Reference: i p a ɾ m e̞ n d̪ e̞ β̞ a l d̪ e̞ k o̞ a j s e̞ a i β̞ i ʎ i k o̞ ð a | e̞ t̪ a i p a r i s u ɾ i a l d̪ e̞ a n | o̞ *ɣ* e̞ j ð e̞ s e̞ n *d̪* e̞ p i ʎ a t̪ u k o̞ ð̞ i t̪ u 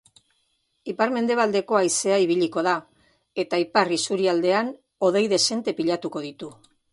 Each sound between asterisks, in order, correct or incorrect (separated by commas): incorrect, incorrect